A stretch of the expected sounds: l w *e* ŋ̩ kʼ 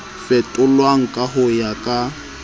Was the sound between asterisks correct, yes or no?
no